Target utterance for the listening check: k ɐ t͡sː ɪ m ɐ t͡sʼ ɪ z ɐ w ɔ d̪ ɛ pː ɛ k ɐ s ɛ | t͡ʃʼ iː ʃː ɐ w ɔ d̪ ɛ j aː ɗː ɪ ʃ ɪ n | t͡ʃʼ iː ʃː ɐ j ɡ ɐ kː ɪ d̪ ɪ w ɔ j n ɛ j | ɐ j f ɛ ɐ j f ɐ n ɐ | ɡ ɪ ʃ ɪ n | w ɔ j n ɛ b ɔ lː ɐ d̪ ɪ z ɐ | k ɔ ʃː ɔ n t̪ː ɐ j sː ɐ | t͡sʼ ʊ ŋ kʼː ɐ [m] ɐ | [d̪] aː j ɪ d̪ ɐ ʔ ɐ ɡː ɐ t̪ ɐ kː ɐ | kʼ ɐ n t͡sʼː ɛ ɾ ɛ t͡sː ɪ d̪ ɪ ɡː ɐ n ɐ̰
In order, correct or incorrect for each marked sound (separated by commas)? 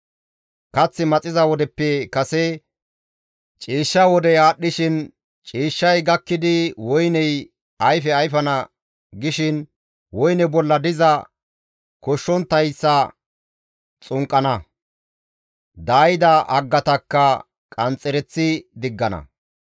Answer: incorrect, correct